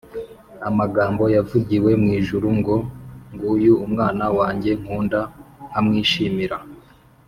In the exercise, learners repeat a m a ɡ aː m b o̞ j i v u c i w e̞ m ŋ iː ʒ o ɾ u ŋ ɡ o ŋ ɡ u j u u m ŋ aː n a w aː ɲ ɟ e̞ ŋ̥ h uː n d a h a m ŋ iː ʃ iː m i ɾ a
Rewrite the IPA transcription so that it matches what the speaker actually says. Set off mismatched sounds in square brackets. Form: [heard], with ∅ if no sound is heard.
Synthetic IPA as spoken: a m a ɡ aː m b o̞ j [a] v u [ɟ] i w e̞ m ŋ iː ʒ [u] ɾ u ŋ ɡ o ŋ ɡ u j u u m ŋ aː n a w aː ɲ ɟ e̞ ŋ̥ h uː n d a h a m ŋ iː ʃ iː m i ɾ a